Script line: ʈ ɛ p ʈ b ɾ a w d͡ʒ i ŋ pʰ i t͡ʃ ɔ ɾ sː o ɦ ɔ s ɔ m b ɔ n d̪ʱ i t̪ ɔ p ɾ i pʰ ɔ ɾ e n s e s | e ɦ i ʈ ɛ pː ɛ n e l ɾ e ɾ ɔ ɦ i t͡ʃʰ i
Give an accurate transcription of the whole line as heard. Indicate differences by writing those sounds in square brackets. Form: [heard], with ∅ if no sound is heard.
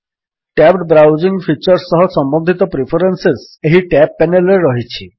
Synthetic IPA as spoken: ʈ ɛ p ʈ b ɾ a w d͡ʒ i ŋ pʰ i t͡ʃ ɔ ɾ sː [ɔ] ɦ ɔ s ɔ m b ɔ n d̪ʱ i t̪ ɔ p ɾ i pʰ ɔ ɾ e n s e s | e ɦ i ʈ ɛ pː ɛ n e l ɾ e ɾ ɔ ɦ i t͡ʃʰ i